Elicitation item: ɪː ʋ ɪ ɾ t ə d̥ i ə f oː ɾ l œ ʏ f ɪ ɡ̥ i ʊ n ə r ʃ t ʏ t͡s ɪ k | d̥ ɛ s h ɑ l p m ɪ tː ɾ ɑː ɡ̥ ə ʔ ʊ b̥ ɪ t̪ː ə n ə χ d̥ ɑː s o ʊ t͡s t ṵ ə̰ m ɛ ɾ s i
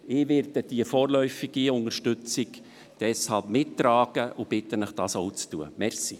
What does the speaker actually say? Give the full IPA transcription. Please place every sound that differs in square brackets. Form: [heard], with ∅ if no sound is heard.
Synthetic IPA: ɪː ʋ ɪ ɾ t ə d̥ i ə f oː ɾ l œ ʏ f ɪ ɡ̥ i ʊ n ə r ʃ t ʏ t͡s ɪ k | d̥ ɛ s h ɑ l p m ɪ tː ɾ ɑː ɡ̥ ə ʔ ʊ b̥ ɪ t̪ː ə n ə χ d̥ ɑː s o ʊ t͡s t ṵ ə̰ m ɛ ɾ s i